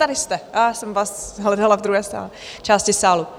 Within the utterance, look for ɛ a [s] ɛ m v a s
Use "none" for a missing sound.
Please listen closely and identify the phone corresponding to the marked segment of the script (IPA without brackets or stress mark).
s